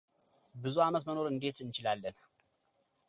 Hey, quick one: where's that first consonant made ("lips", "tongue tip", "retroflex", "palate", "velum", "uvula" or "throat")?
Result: lips